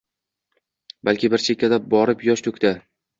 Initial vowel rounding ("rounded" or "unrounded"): unrounded